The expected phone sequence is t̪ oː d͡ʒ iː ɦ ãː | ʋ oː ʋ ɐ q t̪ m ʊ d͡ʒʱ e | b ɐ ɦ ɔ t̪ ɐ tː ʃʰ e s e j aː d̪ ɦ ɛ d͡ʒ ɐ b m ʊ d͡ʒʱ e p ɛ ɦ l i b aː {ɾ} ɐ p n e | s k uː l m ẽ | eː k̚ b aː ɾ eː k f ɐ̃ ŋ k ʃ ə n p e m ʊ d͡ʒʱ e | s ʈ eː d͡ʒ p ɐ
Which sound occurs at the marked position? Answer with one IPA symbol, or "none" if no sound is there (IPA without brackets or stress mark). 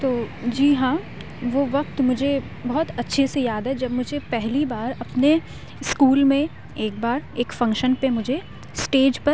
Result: ɾ